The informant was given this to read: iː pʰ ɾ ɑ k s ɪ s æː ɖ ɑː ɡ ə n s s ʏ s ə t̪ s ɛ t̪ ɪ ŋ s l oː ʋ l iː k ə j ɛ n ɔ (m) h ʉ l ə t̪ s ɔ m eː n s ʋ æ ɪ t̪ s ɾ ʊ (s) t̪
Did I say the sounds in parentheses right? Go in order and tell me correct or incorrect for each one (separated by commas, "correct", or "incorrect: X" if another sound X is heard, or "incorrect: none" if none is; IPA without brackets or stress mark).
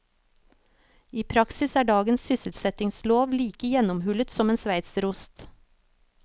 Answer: correct, correct